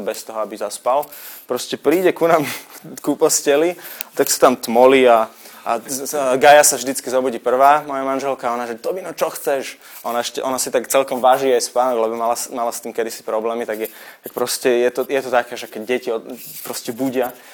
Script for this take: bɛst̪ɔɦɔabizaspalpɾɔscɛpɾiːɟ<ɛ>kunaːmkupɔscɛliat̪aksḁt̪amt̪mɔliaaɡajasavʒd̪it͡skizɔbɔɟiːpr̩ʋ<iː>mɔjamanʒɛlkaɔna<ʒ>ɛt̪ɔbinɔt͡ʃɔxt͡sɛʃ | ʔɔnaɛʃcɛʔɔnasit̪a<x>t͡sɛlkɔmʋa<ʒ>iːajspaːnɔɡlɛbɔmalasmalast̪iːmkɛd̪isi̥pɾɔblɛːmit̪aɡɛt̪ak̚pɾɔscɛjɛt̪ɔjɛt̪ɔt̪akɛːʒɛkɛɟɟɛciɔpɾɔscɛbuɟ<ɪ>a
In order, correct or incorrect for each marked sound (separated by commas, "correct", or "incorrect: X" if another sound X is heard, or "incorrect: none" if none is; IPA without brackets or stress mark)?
correct, incorrect: aː, correct, incorrect: k, correct, correct